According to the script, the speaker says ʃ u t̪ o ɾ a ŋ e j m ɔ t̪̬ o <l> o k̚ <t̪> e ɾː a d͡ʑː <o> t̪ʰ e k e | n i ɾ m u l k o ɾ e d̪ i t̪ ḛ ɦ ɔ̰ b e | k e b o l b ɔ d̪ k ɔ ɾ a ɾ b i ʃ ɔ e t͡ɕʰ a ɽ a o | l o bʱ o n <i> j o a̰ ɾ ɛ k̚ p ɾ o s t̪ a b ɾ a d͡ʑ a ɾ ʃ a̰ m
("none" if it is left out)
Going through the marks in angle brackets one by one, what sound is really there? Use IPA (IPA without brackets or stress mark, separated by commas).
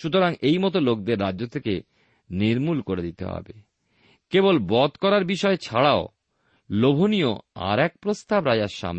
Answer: l, d̪, o, i